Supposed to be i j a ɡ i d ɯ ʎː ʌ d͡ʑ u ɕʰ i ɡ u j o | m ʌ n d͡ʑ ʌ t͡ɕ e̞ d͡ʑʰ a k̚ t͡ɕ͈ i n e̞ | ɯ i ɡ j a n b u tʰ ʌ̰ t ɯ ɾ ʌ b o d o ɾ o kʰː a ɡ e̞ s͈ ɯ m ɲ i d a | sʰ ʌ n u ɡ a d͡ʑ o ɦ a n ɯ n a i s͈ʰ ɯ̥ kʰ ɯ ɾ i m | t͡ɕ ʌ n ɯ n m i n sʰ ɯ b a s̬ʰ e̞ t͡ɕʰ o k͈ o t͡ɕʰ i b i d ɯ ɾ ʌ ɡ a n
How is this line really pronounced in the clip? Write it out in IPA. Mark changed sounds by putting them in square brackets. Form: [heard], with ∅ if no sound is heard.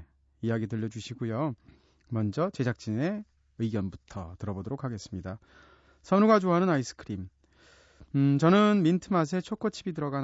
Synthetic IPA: i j a ɡ i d ɯ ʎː ʌ d͡ʑ u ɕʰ i ɡ u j o | m ʌ n d͡ʑ ʌ t͡ɕ e̞ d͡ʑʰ a k̚ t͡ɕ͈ i n e̞ | ɯ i ɡ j [ʌ] n b u tʰ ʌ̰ t ɯ ɾ ʌ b o d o ɾ o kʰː a ɡ e̞ s͈ ɯ m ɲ i d a | sʰ ʌ n u ɡ a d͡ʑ o ɦ a n ɯ n a i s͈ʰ ɯ̥ kʰ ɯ ɾ i m | t͡ɕ ʌ n ɯ n m i n [tʰ] ɯ [m] a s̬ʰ e̞ t͡ɕʰ o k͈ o t͡ɕʰ i b i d ɯ ɾ ʌ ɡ a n